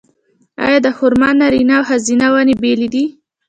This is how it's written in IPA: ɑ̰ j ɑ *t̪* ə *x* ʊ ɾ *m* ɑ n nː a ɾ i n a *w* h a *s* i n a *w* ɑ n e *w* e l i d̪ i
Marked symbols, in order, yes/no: no, no, yes, yes, no, yes, no

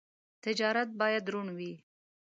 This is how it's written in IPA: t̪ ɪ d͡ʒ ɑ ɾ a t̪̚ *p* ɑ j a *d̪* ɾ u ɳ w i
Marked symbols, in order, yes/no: no, yes

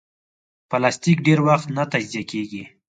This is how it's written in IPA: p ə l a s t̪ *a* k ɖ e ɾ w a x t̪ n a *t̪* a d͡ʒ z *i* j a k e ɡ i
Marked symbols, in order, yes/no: no, yes, yes

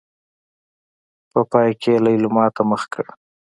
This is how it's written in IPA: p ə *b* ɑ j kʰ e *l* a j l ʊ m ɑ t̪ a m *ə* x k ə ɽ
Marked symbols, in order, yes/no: no, yes, yes

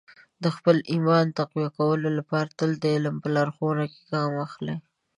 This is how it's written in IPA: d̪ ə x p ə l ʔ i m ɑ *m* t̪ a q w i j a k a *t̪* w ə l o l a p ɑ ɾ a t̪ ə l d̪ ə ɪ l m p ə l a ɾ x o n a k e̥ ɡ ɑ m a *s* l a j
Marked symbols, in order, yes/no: no, no, no

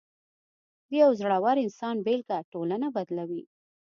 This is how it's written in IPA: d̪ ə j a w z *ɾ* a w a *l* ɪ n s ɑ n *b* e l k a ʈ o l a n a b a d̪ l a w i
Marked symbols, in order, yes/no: no, no, yes

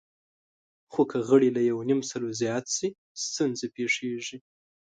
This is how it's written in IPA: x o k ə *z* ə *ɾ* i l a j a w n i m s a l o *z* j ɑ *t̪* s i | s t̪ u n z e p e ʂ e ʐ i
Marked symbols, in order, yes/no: no, no, yes, yes

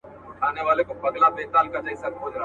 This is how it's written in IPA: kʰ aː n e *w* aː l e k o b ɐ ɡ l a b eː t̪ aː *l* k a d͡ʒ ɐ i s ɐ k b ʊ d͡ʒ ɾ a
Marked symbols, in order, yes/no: no, yes

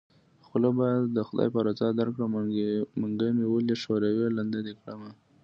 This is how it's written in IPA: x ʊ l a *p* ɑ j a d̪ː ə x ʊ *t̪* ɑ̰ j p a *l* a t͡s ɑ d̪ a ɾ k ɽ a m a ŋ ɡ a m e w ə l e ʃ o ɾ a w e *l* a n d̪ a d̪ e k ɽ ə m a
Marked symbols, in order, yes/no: no, no, no, yes

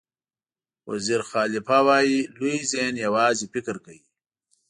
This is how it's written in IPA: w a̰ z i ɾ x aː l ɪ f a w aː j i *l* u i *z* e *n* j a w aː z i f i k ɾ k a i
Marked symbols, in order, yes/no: yes, yes, yes

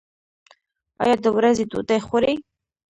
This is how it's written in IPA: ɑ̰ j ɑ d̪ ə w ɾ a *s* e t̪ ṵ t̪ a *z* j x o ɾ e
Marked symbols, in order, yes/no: no, no

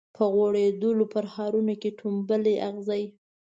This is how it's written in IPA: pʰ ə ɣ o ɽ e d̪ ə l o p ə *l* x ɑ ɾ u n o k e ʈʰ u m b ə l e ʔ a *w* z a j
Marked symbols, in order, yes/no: no, no

